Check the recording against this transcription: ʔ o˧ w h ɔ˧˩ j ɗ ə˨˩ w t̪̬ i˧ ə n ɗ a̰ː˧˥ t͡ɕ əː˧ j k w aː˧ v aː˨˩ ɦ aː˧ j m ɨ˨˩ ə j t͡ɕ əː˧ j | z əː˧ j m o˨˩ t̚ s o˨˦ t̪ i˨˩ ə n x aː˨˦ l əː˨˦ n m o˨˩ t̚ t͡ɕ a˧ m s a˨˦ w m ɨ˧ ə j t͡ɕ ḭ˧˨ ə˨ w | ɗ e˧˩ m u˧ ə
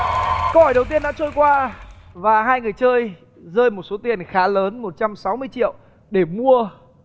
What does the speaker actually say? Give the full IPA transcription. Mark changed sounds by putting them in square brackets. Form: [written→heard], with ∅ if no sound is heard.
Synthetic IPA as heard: [ʔ→k] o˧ w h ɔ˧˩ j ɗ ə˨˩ w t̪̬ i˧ ə n ɗ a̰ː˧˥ t͡ɕ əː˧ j k w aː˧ v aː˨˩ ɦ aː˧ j [m→ŋ] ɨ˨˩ ə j t͡ɕ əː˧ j | z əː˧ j m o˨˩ t̚ s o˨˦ t̪ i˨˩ ə n x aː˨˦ l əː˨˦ n m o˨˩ t̚ t͡ɕ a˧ m s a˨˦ w m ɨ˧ ə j t͡ɕ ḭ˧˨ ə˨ w | ɗ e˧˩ m u˧ ə